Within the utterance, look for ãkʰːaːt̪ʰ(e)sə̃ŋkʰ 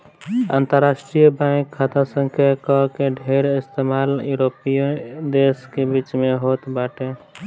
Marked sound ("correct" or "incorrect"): incorrect